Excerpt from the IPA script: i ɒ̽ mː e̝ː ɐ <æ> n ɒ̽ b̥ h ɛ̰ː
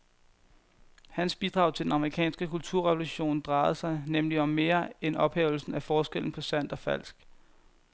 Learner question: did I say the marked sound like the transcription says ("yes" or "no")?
no